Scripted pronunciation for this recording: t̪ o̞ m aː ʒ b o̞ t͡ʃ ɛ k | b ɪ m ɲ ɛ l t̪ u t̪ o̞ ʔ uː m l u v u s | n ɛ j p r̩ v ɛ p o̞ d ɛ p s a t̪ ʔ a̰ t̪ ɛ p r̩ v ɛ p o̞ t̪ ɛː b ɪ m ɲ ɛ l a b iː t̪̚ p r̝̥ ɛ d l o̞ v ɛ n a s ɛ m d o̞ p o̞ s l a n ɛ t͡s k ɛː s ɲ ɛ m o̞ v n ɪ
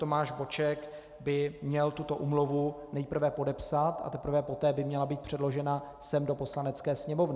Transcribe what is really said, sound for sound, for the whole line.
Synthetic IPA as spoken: t̪ o̞ m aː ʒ b o̞ t͡ʃ ɛ k | b ɪ m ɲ ɛ l t̪ u t̪ o̞ ʔ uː m l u v u | n ɛ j p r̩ v ɛ p o̞ d ɛ p s a t̪ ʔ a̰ t̪ ɛ p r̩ v ɛ p o̞ t̪ ɛː b ɪ m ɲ ɛ l a b iː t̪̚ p r̝̥ ɛ d l o̞ ʒ ɛ n a s ɛ m d o̞ p o̞ s l a n ɛ t͡s k ɛː s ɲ ɛ m o̞ v n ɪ